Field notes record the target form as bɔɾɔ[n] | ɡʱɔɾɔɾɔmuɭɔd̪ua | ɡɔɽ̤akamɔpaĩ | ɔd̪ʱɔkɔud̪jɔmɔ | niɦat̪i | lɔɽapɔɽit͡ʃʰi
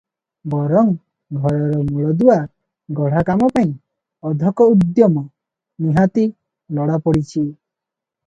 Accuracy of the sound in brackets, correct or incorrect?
incorrect